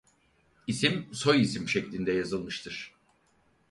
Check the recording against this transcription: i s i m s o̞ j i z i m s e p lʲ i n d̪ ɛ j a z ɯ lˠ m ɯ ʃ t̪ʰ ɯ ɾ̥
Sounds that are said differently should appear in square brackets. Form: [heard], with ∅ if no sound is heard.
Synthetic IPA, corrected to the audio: i s i m s o̞ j i [s] i m [ʃ] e [c] lʲ i n d̪ ɛ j a z ɯ lˠ m ɯ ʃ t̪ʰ ɯ ɾ̥